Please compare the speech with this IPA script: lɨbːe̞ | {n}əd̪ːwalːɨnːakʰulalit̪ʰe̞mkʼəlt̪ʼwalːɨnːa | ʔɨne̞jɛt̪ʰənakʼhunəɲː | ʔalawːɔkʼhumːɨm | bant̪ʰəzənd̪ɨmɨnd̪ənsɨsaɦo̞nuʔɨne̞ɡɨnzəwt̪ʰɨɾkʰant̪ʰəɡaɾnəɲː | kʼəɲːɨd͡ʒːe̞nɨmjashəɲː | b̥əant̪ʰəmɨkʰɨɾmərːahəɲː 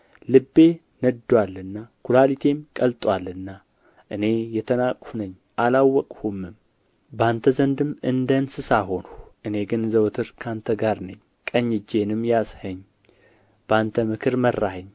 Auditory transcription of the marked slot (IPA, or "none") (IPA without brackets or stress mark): n